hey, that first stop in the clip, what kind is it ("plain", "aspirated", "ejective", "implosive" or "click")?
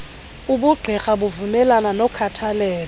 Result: implosive